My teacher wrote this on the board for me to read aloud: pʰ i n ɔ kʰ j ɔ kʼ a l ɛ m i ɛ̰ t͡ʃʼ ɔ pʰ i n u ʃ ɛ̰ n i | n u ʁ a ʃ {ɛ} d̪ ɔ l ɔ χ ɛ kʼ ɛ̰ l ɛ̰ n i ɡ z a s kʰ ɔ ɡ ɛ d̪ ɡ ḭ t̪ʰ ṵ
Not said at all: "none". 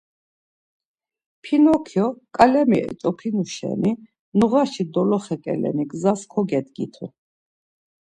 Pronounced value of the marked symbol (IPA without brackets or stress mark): i